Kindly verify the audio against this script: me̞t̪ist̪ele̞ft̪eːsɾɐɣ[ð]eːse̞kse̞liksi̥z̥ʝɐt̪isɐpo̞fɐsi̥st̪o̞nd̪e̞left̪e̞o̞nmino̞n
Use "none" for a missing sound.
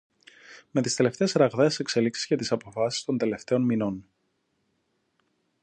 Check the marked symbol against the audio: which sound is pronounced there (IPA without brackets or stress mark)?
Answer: ð